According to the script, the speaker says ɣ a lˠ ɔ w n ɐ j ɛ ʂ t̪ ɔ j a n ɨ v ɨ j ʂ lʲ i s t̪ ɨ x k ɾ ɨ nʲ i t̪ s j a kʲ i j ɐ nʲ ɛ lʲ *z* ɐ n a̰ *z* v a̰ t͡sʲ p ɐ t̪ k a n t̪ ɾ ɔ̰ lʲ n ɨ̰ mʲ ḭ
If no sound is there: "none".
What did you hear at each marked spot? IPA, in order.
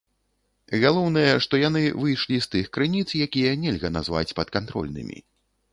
ɣ, z

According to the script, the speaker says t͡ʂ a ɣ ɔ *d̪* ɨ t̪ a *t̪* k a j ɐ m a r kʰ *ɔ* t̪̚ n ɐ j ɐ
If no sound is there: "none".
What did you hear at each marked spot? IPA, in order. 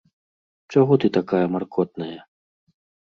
t̪, none, ɔ

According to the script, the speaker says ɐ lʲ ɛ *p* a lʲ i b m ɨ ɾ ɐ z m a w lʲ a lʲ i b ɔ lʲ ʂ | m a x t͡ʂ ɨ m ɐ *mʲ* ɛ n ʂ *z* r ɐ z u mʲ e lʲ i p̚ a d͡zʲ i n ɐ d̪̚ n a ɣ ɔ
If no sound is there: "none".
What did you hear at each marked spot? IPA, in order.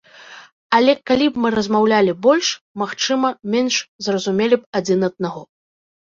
k, mʲ, z

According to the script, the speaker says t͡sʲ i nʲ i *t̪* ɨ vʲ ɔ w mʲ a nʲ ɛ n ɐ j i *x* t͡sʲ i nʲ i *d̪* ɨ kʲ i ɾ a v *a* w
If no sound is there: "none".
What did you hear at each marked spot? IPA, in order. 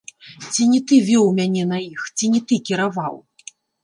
t̪, x, t̪, a

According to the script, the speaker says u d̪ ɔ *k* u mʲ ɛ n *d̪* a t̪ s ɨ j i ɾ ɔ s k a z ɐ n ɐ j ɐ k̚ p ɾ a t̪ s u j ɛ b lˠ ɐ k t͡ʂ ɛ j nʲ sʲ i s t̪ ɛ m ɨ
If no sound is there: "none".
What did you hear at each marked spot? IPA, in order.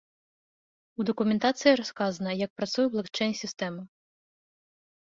k, t̪

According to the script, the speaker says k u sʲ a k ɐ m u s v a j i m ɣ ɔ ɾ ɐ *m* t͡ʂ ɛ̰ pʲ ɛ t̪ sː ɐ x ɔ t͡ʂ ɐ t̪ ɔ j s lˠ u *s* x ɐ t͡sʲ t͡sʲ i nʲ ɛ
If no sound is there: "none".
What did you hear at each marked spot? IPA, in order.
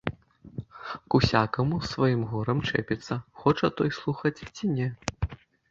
m, none

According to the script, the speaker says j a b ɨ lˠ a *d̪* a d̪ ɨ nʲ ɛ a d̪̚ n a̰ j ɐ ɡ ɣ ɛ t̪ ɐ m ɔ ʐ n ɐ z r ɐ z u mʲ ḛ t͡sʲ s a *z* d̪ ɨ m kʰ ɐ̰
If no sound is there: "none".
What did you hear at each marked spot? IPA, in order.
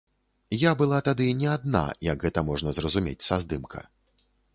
t̪, z

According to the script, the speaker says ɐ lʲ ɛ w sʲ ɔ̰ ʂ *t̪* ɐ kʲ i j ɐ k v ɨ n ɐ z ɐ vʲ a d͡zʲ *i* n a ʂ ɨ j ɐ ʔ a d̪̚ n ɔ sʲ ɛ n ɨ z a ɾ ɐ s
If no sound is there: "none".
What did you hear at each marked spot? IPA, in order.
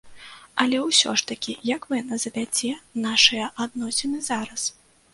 t̪, ɛ

